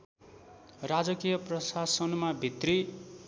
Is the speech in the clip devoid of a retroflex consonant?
yes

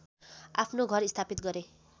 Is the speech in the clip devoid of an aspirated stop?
no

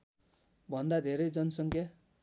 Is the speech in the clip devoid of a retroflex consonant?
yes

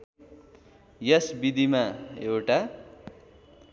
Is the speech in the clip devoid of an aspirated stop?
yes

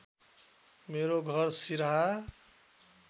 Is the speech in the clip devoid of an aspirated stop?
yes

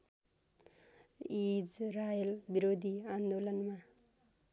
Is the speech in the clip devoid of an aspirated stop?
yes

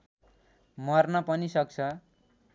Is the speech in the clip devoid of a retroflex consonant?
yes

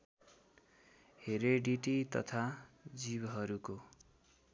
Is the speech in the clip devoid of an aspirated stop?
no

